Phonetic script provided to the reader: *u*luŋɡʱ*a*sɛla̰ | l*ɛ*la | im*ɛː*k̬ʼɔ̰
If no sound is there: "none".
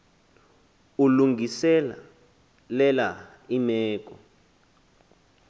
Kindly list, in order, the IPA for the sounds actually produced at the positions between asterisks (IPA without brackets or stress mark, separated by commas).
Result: u, i, ɛ, ɛː